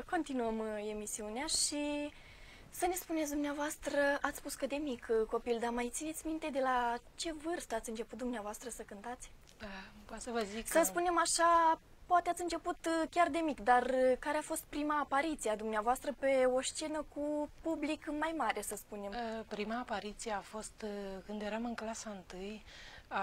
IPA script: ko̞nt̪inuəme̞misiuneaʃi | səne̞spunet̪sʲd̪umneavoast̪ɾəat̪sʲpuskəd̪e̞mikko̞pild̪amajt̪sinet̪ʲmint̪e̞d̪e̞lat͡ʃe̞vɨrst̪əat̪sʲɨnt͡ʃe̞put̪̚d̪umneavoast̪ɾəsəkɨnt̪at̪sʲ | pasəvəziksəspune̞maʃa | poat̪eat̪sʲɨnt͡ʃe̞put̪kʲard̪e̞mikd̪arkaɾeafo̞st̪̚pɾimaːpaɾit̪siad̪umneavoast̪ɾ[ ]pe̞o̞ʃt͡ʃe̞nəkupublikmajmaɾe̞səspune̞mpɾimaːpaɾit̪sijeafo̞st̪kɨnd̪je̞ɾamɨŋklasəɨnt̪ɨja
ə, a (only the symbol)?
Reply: ə